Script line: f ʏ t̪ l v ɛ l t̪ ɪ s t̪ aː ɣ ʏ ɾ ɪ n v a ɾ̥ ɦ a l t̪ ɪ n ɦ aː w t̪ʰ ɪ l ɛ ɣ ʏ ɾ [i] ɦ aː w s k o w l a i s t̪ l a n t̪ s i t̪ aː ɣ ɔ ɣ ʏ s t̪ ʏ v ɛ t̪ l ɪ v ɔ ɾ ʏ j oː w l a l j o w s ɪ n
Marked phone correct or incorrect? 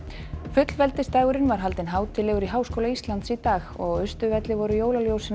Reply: correct